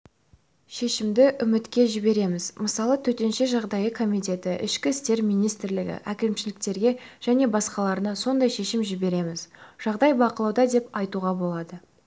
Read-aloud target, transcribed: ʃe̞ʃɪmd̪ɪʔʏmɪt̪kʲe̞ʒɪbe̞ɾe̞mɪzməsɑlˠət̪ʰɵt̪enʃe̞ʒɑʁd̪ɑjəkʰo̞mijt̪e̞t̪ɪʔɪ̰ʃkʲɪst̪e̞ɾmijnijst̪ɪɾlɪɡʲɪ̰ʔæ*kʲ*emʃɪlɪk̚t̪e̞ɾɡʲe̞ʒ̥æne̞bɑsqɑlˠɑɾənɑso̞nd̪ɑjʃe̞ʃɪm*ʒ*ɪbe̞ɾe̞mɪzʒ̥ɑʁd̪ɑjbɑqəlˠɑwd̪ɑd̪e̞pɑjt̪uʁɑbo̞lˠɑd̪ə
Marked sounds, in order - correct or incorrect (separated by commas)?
correct, correct